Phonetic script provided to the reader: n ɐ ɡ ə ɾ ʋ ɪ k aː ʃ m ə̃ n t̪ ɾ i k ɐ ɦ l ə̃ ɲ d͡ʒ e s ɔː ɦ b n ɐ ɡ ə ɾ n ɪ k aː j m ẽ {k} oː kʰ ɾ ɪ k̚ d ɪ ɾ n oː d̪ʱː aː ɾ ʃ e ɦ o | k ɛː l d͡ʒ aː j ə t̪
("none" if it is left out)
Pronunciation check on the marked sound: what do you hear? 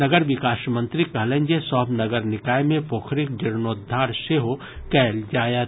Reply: p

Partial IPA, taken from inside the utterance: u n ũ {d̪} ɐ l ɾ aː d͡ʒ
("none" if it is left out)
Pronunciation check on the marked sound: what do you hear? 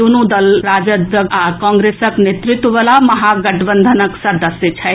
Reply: d̪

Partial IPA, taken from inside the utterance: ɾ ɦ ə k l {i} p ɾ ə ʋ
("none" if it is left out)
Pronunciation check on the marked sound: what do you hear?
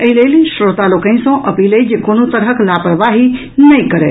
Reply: a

